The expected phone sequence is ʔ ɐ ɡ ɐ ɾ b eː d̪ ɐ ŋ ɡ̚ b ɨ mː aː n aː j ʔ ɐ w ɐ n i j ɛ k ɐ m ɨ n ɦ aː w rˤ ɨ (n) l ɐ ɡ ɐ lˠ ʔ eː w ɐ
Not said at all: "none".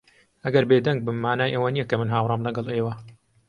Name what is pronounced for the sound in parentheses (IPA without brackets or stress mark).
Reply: m